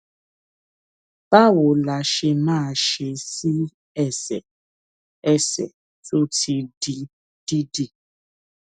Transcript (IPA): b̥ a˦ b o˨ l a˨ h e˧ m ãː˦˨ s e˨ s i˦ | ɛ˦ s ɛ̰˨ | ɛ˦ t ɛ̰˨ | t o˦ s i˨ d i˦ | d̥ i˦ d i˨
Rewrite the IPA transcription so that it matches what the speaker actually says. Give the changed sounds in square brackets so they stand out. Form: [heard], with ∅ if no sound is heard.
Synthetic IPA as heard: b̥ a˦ [w] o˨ l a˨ [ʃ] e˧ m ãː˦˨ [ʃ] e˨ s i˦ | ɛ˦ s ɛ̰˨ | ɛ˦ [s] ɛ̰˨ | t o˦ [t] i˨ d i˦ | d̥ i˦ d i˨